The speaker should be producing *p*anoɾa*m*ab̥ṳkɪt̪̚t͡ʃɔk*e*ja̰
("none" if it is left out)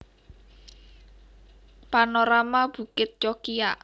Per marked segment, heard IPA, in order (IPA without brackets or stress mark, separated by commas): p, m, i